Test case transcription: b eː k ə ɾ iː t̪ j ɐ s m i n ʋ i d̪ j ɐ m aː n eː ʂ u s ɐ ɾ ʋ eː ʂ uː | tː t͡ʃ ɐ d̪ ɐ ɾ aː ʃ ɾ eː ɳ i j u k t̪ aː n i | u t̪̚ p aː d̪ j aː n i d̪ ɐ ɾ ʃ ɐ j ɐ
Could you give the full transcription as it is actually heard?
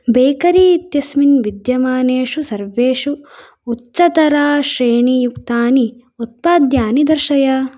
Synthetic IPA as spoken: b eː k ɐ ɾ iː t̪ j ɐ s m i n ʋ i d̪ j ɐ m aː n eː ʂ u s ɐ ɾ ʋ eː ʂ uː | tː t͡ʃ ɐ t̪ ɐ ɾ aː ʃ ɾ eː ɳ i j u k t̪ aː n i | u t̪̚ p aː d̪ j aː n i d̪ ɐ ɾ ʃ ɐ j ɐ